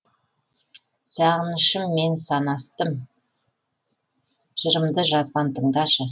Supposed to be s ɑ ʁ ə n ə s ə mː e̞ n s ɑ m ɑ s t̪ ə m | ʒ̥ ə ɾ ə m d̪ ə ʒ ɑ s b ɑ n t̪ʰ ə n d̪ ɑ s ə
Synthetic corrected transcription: s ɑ ʁ ə n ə ʃ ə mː e̞ n s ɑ n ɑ s t̪ ə m | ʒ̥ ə ɾ ə m d̪ ə ʒ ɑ z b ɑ n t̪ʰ ə ɴ d̪ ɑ ʃ ə